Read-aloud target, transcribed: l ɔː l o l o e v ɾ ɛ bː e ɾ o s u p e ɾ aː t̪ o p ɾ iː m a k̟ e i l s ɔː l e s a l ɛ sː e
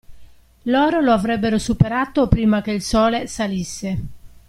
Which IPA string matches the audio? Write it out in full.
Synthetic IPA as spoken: l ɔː ɾ o l o a v ɾ ɛ bː e ɾ o s u p e ɾ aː t̪ o p ɾ iː m a k̟ e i l s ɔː l e s a l i sː e